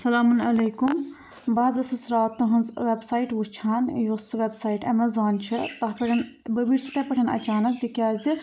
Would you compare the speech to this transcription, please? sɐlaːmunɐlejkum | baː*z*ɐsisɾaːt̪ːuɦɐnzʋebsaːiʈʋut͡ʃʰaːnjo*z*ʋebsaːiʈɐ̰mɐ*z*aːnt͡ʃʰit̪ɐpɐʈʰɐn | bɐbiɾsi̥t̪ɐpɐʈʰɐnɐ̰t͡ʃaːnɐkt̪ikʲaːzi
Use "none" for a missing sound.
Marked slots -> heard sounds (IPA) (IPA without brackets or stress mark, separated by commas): z, s, z